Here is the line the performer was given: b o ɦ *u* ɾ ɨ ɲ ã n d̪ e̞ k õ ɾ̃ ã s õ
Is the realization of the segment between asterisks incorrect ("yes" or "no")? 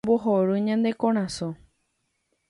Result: yes